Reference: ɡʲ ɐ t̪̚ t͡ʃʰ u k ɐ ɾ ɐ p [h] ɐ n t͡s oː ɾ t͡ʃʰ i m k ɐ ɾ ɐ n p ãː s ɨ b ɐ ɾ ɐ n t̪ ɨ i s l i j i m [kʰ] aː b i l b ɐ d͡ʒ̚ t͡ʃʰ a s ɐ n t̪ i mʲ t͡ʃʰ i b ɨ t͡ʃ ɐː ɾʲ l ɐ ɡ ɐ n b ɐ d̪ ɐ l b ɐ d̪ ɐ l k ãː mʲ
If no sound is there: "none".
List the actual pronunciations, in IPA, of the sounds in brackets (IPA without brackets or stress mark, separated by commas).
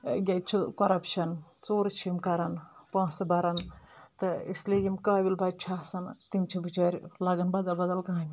ʃ, k